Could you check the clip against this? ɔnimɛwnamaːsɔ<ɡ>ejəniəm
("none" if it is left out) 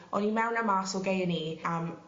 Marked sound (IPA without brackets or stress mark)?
ɡ